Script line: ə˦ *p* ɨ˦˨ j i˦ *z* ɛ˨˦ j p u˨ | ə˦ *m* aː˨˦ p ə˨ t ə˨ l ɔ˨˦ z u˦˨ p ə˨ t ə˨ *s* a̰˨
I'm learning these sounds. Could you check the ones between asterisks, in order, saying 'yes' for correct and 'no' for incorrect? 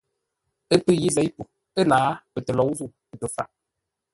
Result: yes, yes, no, no

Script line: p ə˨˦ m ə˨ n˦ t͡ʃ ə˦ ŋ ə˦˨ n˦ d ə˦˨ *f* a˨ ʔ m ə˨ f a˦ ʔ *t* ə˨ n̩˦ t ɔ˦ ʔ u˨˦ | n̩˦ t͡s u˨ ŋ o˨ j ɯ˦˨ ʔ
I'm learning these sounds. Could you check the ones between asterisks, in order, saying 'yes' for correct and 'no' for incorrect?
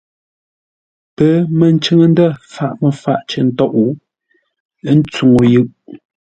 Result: yes, no

